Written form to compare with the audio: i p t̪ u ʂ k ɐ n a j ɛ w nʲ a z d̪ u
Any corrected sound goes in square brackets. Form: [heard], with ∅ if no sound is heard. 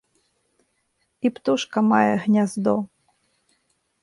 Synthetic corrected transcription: i p t̪ u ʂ k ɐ [m] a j ɛ [ɣ] nʲ a z d̪ [ɔ]